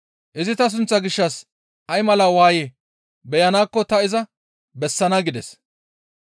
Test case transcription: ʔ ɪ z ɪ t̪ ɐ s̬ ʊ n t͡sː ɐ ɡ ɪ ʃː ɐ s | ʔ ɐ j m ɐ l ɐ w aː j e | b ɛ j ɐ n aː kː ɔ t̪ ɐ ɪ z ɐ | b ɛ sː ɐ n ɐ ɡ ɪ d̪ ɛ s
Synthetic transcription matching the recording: ʔ ɪ z ɪ t̪ ɐ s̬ ʊ n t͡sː ɐ ɡ ɪ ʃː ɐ s | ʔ ɐ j m ɐ l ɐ w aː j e | b ɛ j ɐ n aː kː ɔ t̪ ɐ ɪ z ɐ | b ɛ sː ɐ n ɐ ɡ ɪ d̪ ɛ s